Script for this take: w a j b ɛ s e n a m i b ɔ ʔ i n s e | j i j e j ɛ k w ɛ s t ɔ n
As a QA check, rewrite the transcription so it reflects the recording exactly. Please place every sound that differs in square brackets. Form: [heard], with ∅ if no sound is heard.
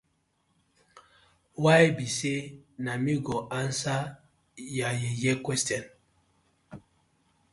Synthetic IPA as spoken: w a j b [i] s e n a m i [ɡ] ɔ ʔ [a] n s [a] | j [a] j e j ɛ k w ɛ s t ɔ n